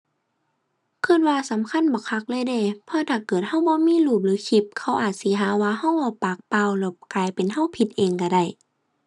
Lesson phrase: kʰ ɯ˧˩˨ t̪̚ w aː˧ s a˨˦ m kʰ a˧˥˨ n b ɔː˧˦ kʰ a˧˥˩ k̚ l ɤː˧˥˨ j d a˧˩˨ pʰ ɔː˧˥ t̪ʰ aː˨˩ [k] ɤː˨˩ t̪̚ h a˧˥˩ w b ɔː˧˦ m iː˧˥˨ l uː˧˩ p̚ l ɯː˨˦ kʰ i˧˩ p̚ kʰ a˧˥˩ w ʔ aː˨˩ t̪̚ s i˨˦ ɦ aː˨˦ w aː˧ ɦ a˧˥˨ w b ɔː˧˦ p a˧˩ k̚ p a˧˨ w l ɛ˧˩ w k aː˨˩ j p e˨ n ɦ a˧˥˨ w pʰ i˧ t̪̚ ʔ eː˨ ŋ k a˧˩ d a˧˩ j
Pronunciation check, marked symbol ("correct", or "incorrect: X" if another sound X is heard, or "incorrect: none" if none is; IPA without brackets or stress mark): correct